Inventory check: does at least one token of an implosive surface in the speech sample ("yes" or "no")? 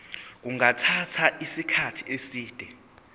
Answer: no